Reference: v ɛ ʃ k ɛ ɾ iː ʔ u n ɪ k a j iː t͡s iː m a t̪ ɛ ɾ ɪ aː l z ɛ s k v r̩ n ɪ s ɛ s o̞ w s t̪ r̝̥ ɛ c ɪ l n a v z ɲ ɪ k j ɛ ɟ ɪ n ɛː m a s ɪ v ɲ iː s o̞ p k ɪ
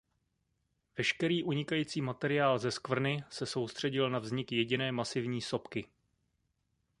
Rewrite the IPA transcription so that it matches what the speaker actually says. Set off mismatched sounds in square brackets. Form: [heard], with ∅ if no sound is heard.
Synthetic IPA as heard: v ɛ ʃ k ɛ ɾ iː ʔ u [ɲ] ɪ k a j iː t͡s iː m a t̪ ɛ ɾ ɪ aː l z ɛ s k v r̩ n ɪ s ɛ s o̞ w s t̪ r̝̥ ɛ [ɟ] ɪ l n a v z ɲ ɪ k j ɛ ɟ ɪ n ɛː m a s ɪ v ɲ iː s o̞ p k ɪ